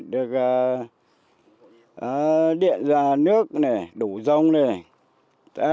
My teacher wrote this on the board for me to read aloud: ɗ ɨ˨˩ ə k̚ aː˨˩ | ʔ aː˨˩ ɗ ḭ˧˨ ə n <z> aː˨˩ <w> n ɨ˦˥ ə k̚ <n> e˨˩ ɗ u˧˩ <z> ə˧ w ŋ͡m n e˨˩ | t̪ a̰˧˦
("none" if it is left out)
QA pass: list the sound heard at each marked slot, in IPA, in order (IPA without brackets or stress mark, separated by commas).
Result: z, none, n, z